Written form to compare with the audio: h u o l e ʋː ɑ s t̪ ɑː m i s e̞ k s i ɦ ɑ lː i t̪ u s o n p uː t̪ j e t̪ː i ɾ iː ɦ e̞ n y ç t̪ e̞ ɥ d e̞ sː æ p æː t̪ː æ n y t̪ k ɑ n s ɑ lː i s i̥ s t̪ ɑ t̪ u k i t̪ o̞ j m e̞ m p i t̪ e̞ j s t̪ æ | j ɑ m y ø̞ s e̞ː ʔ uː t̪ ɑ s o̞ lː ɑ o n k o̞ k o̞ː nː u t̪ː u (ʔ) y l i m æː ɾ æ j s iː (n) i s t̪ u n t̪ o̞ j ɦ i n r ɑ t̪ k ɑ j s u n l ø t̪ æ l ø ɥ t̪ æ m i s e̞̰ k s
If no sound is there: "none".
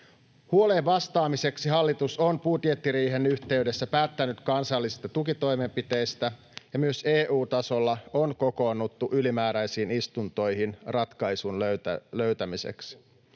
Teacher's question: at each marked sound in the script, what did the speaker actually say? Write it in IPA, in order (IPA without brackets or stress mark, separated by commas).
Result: ʔ, n